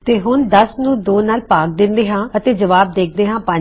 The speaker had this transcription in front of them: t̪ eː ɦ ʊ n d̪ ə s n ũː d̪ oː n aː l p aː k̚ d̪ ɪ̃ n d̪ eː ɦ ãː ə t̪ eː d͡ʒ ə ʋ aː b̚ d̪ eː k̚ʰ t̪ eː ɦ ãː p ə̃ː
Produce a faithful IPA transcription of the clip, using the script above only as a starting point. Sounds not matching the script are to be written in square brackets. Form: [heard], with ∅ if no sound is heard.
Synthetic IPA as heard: t̪ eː ɦ ʊ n d̪ ə s n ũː d̪ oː n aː l p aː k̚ d̪ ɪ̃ n d̪ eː ɦ ãː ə t̪ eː d͡ʒ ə ʋ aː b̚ d̪ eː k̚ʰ [d̪] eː ɦ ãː p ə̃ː